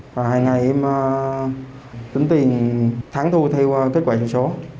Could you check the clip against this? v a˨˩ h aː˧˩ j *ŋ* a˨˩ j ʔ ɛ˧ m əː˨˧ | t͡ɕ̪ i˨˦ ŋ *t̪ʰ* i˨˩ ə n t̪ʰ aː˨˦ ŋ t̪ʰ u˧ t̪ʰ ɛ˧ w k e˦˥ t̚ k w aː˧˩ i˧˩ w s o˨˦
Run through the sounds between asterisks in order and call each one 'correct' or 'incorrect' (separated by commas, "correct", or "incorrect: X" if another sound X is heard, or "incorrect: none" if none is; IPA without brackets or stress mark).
correct, incorrect: t̪